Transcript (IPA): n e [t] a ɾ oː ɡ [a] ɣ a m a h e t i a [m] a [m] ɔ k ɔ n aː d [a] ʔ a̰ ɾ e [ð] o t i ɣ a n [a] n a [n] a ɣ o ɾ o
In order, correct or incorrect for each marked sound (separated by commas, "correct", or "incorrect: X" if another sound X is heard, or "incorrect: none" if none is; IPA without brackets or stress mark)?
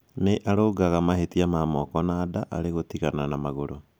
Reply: incorrect: ʔ, correct, correct, correct, correct, incorrect: ɣ, correct, incorrect: m